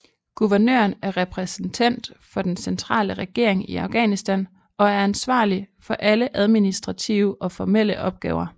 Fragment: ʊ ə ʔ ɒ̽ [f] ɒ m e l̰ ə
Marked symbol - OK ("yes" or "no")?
yes